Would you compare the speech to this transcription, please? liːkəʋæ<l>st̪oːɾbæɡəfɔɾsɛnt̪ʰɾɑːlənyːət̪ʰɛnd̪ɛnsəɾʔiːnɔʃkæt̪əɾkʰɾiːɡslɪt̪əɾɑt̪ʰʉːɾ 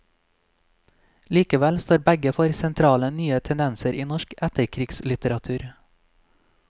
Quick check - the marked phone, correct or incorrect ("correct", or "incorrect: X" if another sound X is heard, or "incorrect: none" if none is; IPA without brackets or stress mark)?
correct